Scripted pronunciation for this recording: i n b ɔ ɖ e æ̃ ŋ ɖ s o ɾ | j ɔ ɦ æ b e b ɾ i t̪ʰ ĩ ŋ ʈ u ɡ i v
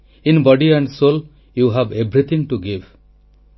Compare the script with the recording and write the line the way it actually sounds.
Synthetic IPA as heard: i n b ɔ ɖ i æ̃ ɳ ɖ s o l | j u ɦ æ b e b ɾ i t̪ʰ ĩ ŋ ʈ u ɡ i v